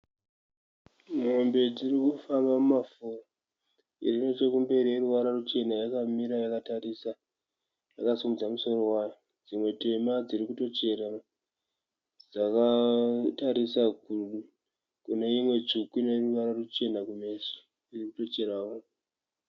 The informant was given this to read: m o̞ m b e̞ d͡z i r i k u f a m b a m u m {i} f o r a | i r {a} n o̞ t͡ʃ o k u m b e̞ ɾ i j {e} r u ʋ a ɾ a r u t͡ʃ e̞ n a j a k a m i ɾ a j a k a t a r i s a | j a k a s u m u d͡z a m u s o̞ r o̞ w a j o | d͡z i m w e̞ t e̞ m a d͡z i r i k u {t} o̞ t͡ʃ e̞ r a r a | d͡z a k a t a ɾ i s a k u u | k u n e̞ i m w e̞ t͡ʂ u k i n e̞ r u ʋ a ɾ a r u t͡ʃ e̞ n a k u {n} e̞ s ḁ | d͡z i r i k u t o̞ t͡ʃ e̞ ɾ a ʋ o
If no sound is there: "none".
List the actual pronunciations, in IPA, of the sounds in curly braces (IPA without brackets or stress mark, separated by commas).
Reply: a, i, e, t, m